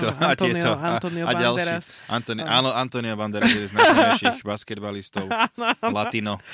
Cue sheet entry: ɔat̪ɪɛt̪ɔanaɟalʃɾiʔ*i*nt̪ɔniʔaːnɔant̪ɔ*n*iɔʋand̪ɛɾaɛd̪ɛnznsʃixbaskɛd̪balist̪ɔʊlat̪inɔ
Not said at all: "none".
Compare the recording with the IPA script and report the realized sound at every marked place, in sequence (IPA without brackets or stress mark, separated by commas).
a, n